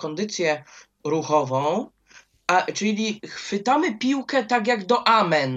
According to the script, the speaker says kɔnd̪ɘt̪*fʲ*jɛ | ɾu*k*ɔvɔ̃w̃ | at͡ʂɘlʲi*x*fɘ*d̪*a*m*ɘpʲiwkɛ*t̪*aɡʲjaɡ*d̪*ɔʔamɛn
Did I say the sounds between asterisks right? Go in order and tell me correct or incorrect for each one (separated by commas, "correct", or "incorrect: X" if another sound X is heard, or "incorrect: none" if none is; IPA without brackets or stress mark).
incorrect: sʲ, incorrect: x, correct, incorrect: t̪, correct, correct, correct